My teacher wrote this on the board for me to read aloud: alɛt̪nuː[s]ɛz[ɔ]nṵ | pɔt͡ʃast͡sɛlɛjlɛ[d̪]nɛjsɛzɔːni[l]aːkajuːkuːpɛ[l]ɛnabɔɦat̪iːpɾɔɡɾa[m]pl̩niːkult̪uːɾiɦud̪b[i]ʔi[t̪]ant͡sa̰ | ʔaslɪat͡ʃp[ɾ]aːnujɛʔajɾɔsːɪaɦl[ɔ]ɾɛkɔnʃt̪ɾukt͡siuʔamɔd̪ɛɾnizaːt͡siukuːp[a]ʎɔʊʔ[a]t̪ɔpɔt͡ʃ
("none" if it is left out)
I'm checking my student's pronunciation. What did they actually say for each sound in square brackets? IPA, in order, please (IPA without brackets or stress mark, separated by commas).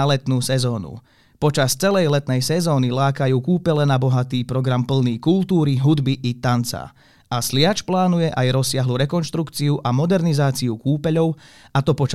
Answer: s, ɔː, t̪, l, l, m, i, t̪, l, u, ɛ, a